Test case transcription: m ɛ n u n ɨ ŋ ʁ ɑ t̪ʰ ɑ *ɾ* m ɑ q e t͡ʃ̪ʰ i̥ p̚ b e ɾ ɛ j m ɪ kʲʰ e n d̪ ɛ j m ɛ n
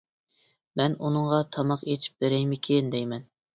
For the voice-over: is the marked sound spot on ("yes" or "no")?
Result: no